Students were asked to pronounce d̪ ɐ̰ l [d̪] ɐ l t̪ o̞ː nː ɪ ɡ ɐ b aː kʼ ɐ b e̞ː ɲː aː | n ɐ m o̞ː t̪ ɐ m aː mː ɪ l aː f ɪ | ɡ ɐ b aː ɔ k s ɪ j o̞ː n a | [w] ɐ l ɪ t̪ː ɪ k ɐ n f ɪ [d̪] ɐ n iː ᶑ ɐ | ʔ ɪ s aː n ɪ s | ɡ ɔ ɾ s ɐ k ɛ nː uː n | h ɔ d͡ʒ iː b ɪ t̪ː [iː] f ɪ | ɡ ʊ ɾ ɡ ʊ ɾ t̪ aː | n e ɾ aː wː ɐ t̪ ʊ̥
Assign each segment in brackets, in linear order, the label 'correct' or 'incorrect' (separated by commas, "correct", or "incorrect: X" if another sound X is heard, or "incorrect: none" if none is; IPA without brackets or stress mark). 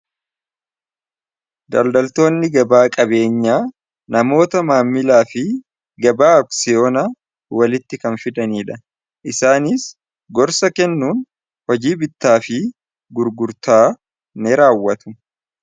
correct, correct, correct, incorrect: aː